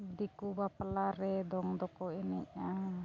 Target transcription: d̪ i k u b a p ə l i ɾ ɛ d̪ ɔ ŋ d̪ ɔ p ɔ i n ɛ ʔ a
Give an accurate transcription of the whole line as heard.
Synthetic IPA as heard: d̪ i k u b a p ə l a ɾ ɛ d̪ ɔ ŋ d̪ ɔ k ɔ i n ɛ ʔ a

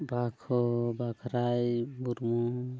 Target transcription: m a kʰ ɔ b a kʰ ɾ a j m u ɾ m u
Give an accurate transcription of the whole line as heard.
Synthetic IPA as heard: b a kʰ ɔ b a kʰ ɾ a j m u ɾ m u

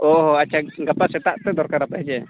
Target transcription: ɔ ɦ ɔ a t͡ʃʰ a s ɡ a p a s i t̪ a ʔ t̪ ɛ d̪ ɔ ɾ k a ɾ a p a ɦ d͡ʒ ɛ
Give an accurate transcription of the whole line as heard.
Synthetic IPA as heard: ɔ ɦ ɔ a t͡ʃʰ a ɡ a p a s ɛ t̪ a ʔ t̪ ɛ d̪ ɔ ɾ k a ɾ a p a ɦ d͡ʒ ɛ

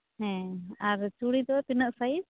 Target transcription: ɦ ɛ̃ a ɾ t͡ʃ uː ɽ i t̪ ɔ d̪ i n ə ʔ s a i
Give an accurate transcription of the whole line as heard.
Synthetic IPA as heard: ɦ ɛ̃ a ɾ t͡ʃ u ɽ i d̪ ɔ t̪ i n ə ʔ s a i

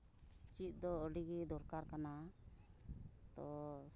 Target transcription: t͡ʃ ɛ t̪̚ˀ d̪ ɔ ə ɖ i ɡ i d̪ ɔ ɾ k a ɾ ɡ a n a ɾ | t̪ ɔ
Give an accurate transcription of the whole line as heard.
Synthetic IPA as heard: t͡ʃ i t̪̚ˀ d̪ ɔ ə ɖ i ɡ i d̪ ɔ ɾ k a ɾ k a n a | t̪ ɔ

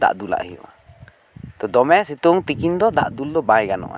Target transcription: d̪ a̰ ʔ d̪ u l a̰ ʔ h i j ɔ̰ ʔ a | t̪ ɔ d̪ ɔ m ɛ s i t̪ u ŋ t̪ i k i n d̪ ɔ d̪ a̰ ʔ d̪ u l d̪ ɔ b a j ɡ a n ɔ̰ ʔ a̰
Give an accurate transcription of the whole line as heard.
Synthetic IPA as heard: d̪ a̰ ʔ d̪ u l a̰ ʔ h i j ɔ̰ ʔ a | t̪ ɔ d̪ ɔ m ɛ s i t̪ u ŋ t̪ i k i n d̪ ɔ d̪ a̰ ʔ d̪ u l d̪ ɔ b a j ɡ a n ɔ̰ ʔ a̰

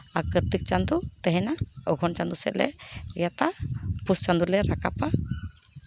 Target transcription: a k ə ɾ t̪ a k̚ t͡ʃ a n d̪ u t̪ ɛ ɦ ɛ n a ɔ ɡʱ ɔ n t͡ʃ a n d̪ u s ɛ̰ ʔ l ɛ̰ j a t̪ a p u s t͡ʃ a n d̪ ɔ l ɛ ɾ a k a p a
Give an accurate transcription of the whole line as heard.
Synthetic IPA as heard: a k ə ɾ t̪ i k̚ t͡ʃ a n d̪ u t̪ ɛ ɦ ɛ n a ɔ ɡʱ ɔ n t͡ʃ a n d̪ u s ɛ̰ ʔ l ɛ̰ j a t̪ a p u s t͡ʃ a n d̪ u l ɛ ɾ a k a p a

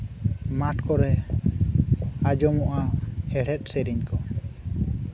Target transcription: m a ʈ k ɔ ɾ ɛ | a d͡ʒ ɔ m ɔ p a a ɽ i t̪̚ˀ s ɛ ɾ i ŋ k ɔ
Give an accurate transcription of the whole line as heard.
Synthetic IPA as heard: m a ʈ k ɔ ɾ ɛ | a d͡ʒ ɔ m ɔ ʔ a ɛ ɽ ɛ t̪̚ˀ s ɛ ɾ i ɲ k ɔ

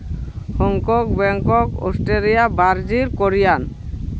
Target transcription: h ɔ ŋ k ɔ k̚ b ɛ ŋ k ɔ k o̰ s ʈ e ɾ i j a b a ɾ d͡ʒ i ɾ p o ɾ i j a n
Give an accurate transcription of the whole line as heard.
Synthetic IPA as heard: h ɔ ŋ k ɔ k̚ b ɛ ŋ k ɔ k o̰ s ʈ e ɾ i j a b a ɾ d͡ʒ i ɾ k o ɾ i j a n

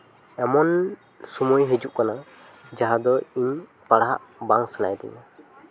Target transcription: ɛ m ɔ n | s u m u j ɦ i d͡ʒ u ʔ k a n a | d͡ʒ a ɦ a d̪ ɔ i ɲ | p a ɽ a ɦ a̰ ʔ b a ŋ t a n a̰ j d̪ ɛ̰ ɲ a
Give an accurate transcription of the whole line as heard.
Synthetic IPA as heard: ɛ m ɔ n | s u m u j ɦ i d͡ʒ u ʔ k a n a | d͡ʒ a ɦ a d̪ ɔ i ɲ | p a ɽ a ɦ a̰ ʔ b a ŋ s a n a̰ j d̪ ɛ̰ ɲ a

